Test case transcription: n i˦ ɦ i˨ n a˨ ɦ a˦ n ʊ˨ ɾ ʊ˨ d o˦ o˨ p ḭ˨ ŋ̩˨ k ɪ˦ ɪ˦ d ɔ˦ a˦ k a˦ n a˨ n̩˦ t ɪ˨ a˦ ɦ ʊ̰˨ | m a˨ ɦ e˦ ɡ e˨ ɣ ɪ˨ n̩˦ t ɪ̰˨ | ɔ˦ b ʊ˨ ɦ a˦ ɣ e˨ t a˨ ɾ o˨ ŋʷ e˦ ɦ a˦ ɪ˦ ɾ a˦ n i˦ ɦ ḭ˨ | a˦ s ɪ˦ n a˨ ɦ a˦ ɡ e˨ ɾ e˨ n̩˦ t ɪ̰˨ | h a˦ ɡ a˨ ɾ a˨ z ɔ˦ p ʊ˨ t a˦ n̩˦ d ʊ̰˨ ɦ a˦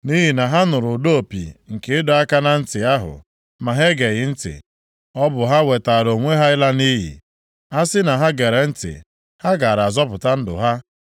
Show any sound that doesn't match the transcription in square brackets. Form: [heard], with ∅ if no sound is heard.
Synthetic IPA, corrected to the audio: n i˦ ɦ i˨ n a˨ ɦ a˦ n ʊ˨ ɾ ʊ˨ d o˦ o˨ p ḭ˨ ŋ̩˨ k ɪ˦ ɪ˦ d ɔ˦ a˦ k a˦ n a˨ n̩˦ t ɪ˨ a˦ ɦ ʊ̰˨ | m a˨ ɦ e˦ ɡ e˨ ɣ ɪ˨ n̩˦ t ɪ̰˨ | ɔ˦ b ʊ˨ ɦ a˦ [w] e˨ t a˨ ɾ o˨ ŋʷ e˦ ɦ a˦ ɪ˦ [l] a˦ n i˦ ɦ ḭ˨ | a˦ s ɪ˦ n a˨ ɦ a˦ ɡ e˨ ɾ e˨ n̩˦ t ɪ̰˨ | h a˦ ɡ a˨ ɾ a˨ z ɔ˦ p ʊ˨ t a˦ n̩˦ d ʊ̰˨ ɦ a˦

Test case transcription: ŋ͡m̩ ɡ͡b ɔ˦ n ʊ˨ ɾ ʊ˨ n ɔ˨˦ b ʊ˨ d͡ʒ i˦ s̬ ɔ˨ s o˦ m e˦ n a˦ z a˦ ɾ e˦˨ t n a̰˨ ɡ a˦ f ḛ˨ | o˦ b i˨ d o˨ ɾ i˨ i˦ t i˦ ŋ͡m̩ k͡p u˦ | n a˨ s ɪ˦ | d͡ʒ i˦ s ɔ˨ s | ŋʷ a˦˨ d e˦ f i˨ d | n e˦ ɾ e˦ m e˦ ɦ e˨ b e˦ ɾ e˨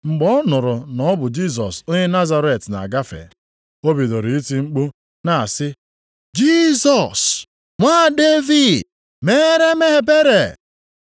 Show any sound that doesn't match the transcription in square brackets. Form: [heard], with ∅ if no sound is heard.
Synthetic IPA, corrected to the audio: ŋ͡m̩ ɡ͡b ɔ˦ n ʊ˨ ɾ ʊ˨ n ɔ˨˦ b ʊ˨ d͡ʒ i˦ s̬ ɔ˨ s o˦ [ɲ] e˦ n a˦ z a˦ ɾ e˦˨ t n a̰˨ ɡ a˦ f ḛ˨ | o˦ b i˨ d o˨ ɾ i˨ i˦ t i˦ ŋ͡m̩ k͡p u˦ | n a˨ s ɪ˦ | d͡ʒ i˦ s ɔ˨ s | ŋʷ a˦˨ d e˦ [v] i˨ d | [m] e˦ ɾ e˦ m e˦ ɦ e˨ b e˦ ɾ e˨

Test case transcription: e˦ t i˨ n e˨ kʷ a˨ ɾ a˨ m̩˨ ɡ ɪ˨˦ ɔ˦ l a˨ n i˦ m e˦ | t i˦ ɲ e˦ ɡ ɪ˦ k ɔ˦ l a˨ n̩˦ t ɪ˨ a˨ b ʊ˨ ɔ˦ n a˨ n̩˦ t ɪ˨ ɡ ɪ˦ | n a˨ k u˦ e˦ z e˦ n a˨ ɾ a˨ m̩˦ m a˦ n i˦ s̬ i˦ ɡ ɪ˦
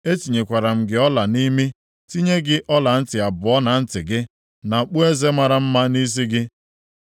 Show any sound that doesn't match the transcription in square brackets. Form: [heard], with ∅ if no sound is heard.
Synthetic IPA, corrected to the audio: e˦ t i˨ [ɲ] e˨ kʷ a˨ ɾ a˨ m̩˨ ɡ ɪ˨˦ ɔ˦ l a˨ n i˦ m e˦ | t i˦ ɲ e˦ ɡ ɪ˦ [ʔ] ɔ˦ l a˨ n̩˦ t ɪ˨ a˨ b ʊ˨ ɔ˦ n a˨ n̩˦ t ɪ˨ ɡ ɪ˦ | n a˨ [k͡p] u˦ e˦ z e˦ [m] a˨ ɾ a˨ m̩˦ m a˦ n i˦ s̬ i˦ ɡ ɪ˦

